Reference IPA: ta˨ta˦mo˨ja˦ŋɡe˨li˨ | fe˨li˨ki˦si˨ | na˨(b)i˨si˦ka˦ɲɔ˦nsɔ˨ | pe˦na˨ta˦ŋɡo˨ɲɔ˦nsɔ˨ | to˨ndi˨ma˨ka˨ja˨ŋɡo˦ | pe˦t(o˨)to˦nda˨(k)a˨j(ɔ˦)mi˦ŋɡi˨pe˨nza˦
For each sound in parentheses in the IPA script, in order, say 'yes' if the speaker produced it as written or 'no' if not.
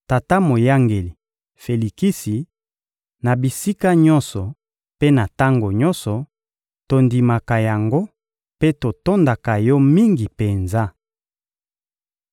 yes, yes, yes, yes

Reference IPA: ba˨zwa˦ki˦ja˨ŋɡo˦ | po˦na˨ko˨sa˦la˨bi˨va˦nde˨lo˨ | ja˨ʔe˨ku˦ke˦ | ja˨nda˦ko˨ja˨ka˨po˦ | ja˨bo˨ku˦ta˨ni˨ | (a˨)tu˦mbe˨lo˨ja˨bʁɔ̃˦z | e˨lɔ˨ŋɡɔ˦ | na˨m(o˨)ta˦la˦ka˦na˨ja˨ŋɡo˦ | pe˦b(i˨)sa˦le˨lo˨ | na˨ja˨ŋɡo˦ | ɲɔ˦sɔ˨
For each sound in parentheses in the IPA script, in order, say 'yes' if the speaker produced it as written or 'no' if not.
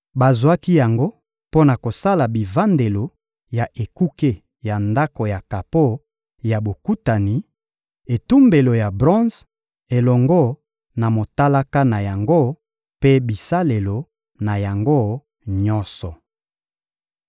no, yes, yes

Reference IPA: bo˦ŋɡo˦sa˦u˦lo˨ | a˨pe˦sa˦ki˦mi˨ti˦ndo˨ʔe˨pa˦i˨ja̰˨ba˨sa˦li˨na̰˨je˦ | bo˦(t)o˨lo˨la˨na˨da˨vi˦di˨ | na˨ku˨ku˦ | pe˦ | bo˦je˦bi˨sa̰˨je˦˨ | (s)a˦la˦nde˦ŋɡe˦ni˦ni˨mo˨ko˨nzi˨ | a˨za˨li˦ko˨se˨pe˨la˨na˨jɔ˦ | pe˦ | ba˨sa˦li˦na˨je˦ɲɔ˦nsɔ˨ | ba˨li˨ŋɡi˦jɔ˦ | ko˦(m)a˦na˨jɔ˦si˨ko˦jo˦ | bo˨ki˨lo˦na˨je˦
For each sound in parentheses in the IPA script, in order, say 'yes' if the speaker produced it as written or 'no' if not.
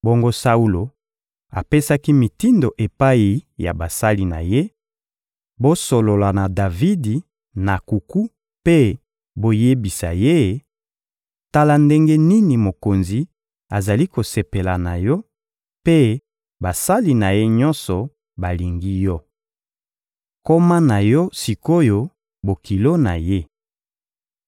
no, no, yes

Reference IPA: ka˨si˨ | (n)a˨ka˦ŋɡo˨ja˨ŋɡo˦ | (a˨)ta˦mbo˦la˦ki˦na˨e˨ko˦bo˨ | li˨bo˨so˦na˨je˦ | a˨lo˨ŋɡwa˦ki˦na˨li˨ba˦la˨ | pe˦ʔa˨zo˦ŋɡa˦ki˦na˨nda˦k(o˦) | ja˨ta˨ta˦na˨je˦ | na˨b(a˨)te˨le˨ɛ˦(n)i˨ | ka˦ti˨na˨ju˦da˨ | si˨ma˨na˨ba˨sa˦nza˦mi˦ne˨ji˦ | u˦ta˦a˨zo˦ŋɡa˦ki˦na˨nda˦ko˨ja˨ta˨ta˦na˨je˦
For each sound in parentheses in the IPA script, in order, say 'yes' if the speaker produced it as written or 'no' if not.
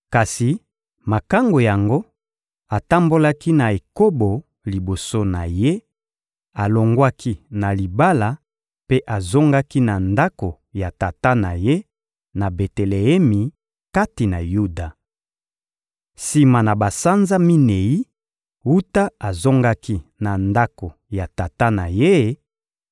no, yes, no, no, no

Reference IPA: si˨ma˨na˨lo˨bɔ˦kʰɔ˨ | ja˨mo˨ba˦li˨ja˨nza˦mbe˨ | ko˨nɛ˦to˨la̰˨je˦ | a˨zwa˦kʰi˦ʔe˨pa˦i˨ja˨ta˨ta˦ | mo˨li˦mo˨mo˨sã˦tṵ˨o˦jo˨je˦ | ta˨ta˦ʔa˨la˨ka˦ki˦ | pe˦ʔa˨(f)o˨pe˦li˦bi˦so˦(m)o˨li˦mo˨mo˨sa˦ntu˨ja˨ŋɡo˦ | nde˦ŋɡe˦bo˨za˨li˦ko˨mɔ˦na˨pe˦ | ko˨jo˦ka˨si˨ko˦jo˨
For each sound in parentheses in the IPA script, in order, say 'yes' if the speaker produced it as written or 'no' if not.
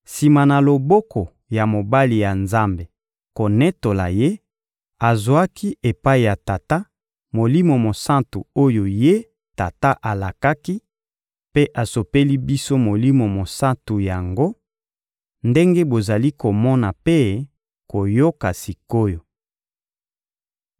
no, yes

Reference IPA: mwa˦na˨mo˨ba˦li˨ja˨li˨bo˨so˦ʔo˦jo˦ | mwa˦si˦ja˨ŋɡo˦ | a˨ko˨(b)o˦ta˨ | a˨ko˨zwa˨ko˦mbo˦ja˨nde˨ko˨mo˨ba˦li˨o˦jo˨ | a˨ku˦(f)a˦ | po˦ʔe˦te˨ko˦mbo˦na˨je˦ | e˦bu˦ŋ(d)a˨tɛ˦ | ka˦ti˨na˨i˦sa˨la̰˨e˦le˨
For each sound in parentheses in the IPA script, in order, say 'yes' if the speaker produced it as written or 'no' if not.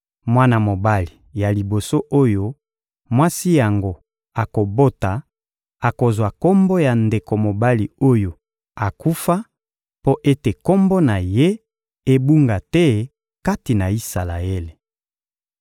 yes, yes, no

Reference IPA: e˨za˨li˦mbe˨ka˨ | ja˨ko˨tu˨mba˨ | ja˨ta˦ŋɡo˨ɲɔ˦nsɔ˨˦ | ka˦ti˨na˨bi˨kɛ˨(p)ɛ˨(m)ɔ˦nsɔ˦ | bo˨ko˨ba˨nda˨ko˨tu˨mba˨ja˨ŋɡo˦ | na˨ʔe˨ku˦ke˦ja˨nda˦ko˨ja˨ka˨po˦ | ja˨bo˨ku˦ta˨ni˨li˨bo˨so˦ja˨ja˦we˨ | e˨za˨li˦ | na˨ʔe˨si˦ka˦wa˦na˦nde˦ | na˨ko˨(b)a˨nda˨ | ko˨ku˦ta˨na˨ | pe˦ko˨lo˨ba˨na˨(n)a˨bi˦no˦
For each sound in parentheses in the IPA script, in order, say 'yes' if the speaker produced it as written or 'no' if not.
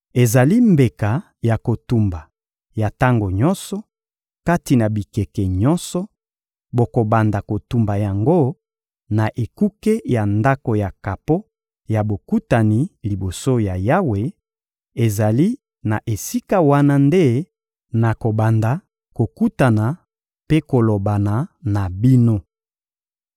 no, no, yes, yes

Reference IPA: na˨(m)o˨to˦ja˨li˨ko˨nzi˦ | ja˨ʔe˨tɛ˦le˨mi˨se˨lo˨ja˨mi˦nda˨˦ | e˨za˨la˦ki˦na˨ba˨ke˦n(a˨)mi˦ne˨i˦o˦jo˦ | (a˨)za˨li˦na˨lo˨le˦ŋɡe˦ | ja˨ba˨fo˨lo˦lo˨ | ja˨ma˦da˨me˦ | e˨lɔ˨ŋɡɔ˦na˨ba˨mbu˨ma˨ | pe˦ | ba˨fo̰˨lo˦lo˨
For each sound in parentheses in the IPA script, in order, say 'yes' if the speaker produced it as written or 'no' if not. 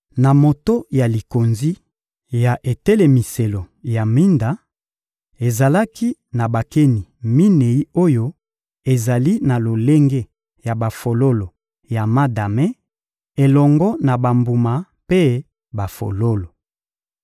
yes, no, no

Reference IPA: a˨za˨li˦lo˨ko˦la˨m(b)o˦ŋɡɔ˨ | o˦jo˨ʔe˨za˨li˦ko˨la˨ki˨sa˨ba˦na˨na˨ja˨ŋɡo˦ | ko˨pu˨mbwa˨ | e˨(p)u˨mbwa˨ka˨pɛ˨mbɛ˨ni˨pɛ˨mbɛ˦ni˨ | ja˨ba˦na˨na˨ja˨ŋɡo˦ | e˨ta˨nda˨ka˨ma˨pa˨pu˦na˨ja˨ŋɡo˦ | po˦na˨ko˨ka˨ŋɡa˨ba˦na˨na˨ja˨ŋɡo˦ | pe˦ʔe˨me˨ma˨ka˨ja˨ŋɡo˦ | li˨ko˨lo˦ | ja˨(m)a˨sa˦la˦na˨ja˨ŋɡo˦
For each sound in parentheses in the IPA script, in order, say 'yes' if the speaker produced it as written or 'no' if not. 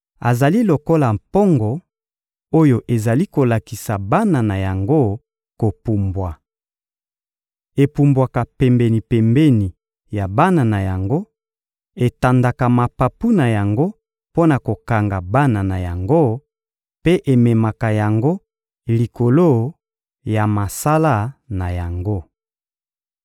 no, yes, yes

